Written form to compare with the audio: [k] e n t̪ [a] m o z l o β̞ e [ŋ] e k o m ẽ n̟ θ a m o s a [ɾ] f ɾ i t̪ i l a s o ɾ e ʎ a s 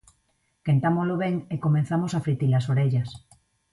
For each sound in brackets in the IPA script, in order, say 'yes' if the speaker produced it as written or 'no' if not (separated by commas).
yes, yes, yes, no